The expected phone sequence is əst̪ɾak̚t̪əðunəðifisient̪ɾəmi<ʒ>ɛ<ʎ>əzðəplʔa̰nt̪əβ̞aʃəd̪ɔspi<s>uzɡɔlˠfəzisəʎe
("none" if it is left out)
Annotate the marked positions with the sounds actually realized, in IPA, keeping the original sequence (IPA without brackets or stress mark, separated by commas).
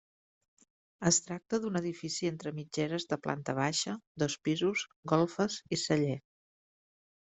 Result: d͡ʒ, ɾ, z